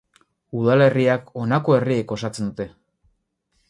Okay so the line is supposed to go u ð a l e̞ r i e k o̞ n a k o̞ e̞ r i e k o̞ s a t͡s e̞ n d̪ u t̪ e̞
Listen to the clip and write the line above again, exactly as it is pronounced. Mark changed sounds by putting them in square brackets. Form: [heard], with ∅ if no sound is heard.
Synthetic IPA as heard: u ð a l e̞ r i [a] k o̞ n a k o̞ e̞ r i e k o̞ s a t͡s e̞ n d̪ u t̪ e̞